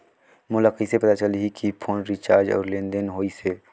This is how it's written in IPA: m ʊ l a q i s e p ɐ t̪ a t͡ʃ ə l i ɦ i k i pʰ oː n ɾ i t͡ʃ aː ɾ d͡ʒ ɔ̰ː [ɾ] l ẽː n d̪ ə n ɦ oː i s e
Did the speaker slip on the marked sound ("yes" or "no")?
no